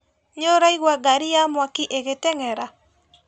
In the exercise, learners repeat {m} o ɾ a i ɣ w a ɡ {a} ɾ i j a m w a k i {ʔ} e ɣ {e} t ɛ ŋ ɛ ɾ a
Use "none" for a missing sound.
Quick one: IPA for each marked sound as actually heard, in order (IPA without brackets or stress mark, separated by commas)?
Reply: ɲ, a, ʔ, e